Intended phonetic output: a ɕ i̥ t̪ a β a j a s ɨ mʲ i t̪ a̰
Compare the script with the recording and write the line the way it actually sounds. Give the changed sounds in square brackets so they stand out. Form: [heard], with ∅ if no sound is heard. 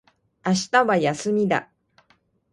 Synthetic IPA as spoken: a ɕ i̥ t̪ a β a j a s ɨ mʲ i [d̪] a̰